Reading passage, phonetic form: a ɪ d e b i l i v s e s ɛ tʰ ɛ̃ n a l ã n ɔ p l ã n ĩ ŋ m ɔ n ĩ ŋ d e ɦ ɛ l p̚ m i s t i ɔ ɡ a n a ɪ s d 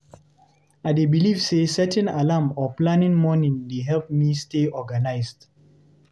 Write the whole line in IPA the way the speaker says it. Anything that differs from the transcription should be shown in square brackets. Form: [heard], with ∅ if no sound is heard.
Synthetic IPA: a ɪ d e b i l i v s e s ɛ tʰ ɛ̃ n a l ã [m] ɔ p l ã n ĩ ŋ m ɔ n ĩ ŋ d e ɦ ɛ l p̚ m i s t [e] ɔ ɡ a n a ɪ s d